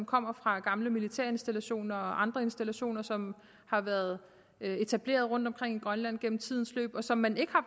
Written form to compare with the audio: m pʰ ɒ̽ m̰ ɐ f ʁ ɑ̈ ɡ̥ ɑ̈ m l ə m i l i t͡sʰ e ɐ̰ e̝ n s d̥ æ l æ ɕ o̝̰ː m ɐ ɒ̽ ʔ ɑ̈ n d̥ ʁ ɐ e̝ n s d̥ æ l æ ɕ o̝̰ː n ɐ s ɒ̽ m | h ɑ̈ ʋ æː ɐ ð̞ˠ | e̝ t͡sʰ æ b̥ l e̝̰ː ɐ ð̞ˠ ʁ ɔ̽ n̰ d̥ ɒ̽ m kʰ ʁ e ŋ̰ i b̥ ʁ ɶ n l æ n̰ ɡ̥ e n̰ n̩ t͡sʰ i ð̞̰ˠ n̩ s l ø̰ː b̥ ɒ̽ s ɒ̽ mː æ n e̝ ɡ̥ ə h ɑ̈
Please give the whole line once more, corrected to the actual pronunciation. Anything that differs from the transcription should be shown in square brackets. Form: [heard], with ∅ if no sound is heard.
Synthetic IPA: m [kʰ] ɒ̽ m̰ ɐ f ʁ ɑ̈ ɡ̥ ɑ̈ m l ə m i l i t͡sʰ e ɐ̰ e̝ n s d̥ æ l æ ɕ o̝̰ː [n] ɐ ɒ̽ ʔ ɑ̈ n d̥ ʁ ɐ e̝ n s d̥ æ l æ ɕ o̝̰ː n ɐ s ɒ̽ m | h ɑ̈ ʋ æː ɐ ð̞ˠ | e̝ t͡sʰ æ b̥ l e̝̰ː ɐ ð̞ˠ ʁ ɔ̽ n̰ d̥ ɒ̽ m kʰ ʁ e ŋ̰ i [ɡ̥] ʁ ɶ n l æ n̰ ɡ̥ e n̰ [m̩] t͡sʰ i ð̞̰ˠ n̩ s l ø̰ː b̥ ɒ̽ s ɒ̽ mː æ n e̝ ɡ̥ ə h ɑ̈